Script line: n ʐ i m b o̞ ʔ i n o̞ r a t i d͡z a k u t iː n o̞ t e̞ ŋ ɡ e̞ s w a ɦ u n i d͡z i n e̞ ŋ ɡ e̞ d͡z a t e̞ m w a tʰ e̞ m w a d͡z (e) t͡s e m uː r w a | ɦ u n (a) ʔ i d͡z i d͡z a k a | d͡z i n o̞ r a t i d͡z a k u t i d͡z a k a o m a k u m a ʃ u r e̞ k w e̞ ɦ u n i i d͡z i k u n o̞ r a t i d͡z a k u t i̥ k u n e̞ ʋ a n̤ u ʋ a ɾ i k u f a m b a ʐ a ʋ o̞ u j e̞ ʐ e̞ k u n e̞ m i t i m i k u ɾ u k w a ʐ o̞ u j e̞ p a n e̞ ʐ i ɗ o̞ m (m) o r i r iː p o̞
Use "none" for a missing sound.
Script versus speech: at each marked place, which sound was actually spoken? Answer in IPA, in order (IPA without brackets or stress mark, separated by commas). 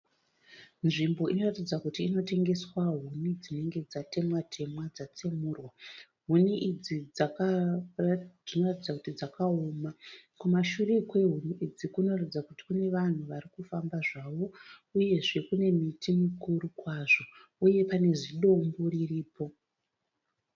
a, i, b